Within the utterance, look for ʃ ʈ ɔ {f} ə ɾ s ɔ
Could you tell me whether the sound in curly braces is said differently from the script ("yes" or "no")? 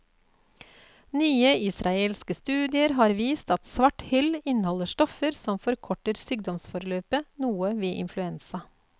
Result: no